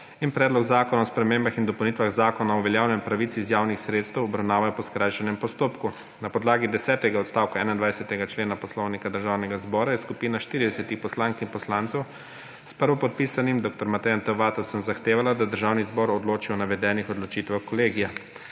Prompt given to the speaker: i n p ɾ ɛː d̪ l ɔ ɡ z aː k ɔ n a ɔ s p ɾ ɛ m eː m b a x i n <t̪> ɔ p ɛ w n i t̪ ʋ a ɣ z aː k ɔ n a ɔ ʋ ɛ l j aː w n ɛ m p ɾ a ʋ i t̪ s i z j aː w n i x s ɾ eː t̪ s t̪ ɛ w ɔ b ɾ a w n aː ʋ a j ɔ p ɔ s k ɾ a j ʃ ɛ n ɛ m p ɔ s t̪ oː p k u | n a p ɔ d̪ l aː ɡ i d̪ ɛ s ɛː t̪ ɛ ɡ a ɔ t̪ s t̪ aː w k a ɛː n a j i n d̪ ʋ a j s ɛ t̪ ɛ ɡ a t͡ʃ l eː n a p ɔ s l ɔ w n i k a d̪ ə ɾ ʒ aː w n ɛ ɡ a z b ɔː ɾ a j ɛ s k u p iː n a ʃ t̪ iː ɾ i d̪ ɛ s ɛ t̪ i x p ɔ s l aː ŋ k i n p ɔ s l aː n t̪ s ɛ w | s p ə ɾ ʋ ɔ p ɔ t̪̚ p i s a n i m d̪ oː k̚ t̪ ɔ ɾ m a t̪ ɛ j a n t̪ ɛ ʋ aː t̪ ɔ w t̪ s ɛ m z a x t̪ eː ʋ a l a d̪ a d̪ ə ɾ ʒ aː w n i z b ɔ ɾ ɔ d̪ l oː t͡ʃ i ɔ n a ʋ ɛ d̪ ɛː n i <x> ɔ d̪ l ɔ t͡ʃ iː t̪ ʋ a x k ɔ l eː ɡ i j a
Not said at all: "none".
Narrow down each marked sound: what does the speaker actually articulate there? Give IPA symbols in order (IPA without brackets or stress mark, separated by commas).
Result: d̪, x